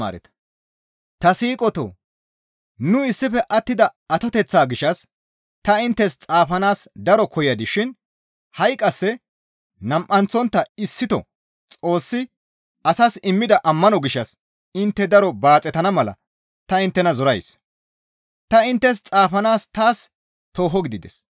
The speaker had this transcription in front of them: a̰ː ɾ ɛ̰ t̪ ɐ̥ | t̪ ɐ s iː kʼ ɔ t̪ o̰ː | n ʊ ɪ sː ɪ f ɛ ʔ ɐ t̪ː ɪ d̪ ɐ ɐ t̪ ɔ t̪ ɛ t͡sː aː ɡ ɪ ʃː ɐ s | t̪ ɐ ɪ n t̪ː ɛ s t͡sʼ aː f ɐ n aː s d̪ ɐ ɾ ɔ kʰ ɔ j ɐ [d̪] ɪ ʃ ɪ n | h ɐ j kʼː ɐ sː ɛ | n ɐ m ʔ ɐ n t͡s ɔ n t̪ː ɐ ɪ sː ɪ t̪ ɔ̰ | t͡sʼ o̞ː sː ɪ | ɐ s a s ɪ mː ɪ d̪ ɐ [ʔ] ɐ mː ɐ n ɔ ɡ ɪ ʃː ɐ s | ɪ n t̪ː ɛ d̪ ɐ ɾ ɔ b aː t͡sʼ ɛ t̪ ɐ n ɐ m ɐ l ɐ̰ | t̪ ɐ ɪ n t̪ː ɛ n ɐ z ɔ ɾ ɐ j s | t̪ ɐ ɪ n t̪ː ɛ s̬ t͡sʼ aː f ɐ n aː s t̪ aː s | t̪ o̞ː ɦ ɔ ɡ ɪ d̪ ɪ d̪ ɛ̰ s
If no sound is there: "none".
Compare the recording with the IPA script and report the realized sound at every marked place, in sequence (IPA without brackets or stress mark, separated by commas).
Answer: d̪, ʔ